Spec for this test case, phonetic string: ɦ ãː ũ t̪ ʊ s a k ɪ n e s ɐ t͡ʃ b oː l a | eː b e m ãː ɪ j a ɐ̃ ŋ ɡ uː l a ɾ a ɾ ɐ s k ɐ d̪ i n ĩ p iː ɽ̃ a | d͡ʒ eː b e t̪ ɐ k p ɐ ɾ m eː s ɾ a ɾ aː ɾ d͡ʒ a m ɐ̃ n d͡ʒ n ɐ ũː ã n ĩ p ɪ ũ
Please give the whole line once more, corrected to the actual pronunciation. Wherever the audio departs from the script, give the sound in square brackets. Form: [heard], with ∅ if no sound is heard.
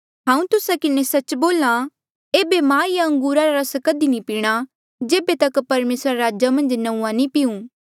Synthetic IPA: ɦ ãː ũ t̪ ʊ s a k ɪ n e s ɐ t͡ʃ b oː l a | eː b e m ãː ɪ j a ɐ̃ ŋ ɡ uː [ɾ] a ɾ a ɾ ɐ s k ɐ d̪ i n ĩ p iː ɽ̃ a | d͡ʒ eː b e t̪ ɐ k p ɐ ɾ m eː s ɾ a ɾ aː [∅] d͡ʒ a m ɐ̃ n d͡ʒ n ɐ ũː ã n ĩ p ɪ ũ